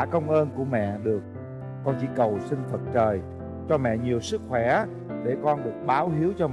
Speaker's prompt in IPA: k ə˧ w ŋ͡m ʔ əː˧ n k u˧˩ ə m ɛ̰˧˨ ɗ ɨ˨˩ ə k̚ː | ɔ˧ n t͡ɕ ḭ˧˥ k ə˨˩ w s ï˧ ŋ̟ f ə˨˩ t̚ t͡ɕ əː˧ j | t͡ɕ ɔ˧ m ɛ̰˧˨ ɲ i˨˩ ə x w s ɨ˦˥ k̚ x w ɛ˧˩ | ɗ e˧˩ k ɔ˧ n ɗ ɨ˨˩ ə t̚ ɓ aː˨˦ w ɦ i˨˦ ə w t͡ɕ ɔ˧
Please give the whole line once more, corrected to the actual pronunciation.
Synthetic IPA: k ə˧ w ŋ͡m ʔ əː˧ n k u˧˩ ə m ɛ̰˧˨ ɗ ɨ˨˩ ə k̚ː | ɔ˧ n t͡ɕ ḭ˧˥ k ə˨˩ w s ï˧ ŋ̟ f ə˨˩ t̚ t͡ɕ əː˨˩ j | t͡ɕ ɔ˧ m ɛ̰˧˨ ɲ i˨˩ ə w s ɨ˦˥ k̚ x w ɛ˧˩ | ɗ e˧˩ k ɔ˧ n ɗ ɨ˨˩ ə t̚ ɓ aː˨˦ w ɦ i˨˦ ə w t͡ɕ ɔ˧